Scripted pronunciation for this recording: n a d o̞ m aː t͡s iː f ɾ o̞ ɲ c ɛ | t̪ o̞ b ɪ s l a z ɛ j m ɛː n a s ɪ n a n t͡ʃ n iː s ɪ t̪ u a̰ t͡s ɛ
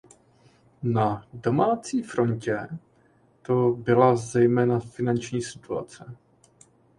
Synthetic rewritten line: n a d o̞ m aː t͡s iː f ɾ o̞ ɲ c ɛ | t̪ o̞ b ɪ l a z ɛ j m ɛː n a f ɪ n a n t͡ʃ ɲ iː s ɪ t̪ u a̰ t͡s ɛ

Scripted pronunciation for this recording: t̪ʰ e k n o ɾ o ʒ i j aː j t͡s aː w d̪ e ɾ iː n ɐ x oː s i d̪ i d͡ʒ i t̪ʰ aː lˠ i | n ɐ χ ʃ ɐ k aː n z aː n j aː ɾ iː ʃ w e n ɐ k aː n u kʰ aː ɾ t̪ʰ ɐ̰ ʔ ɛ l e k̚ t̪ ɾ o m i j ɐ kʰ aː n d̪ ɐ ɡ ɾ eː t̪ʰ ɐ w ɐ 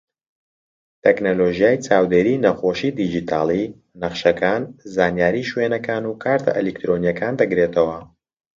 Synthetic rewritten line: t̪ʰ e k n o l o ʒ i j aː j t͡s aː w d̪ e ɾ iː n ɐ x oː ʃ i d̪ i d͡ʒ i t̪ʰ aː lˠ i | n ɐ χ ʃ ɐ k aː n z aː n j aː ɾ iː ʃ w e n ɐ k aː n u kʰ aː ɾ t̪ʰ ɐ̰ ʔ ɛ l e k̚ t̪ ɾ o n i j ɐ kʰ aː n d̪ ɐ ɡ ɾ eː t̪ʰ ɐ w ɐ

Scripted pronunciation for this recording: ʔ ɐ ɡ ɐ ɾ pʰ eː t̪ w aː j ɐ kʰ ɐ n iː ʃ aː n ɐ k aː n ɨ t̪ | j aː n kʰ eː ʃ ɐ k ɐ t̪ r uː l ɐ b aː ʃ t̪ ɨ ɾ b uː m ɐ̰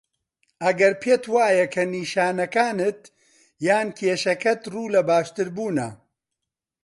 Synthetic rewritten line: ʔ ɐ ɡ ɐ ɾ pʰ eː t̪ w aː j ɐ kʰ ɐ n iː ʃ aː n ɐ k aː n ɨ t̪ | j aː n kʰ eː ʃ ɐ k ɐ t̪ r uː l ɐ b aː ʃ t̪ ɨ ɾ b uː n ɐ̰

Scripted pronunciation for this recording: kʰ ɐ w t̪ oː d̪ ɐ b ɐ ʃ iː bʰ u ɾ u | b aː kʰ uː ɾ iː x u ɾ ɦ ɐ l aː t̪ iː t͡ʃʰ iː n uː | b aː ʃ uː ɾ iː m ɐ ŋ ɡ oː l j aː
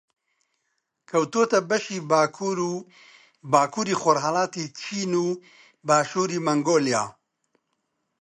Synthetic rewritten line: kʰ ɐ w t̪ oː t̪ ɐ b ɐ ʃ iː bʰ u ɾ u | b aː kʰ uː ɾ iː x o ɾ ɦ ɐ l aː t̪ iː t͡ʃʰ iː n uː | b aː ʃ uː ɾ iː m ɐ ŋ ɡ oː l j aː

